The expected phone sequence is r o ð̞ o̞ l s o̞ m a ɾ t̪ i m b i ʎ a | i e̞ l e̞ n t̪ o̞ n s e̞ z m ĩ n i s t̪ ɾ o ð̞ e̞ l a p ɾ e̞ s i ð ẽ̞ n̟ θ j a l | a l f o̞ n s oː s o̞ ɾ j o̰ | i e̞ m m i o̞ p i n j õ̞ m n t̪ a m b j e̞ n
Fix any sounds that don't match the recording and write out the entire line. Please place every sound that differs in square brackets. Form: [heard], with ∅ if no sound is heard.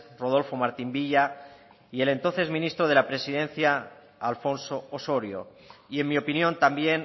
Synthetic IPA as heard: r o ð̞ o̞ l [f] o̞ m a ɾ t̪ i m b i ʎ a | i e̞ l e̞ n t̪ o̞ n [θ] e̞ z m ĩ n i s t̪ ɾ o ð̞ e̞ l a p ɾ e̞ s i ð [e̞] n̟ θ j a [∅] | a l f o̞ n s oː s o̞ ɾ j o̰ | i e̞ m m i o̞ p i n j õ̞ [∅] n t̪ a m b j e̞ n